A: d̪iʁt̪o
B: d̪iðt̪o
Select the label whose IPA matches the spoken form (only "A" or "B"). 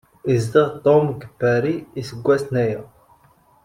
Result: A